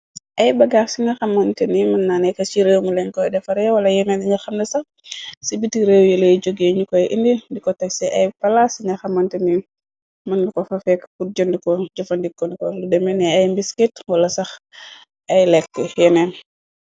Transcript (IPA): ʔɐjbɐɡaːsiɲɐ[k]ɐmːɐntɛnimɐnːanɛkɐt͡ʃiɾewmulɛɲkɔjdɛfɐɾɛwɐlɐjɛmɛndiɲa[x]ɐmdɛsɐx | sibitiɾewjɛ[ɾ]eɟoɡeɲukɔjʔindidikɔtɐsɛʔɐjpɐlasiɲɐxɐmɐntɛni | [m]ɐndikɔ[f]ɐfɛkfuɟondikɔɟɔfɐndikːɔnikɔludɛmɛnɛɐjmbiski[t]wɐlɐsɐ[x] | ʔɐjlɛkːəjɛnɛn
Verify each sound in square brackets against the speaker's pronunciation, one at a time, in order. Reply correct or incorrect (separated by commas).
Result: incorrect, correct, incorrect, correct, correct, correct, correct